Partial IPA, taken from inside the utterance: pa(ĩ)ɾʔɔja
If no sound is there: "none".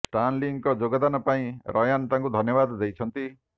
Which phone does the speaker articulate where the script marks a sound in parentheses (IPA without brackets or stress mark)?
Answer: ĩ